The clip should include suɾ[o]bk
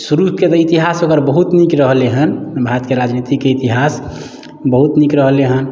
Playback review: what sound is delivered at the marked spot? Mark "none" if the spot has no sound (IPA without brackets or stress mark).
u